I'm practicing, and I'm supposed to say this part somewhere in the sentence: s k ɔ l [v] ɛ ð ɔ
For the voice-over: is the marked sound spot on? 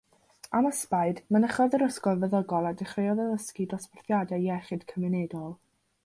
yes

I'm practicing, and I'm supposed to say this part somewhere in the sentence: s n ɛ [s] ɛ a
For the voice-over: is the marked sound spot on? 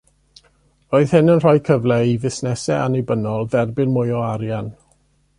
yes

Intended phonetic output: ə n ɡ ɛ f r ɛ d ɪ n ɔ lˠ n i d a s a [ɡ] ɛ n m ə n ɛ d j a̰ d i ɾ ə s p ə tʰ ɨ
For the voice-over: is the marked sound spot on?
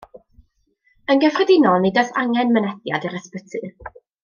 no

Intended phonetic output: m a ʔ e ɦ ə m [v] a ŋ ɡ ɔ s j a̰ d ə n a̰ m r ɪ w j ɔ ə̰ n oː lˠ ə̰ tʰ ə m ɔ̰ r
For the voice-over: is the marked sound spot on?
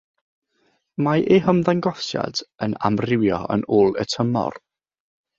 no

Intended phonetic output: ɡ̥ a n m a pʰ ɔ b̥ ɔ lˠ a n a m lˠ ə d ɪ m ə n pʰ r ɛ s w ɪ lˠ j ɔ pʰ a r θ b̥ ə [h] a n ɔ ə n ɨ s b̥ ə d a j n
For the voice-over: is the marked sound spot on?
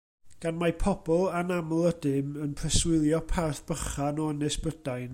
no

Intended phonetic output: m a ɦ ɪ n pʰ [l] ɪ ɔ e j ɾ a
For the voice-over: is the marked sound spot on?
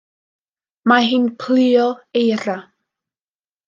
yes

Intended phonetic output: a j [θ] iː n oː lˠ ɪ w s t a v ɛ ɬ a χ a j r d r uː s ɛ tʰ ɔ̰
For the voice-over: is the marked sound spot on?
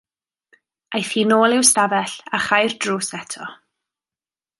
yes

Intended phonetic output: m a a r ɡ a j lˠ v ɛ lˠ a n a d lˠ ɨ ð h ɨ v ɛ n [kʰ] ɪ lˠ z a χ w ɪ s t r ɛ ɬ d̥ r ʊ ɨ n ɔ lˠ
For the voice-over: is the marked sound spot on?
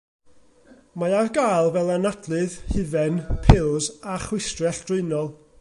no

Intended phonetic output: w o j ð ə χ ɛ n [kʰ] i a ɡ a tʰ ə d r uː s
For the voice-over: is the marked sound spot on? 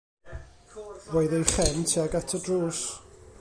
no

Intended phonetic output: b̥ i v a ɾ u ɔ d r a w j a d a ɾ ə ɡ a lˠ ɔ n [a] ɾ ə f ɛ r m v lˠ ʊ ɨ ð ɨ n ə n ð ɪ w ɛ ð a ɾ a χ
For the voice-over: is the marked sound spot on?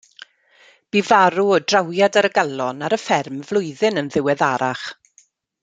yes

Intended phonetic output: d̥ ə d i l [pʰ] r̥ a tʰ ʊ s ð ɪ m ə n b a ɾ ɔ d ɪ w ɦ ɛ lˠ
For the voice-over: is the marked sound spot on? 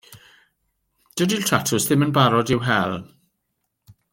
no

